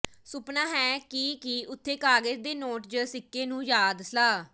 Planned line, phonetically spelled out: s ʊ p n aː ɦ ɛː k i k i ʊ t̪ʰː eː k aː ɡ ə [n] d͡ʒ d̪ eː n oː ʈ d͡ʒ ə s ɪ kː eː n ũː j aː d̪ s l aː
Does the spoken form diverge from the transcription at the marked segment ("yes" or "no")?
yes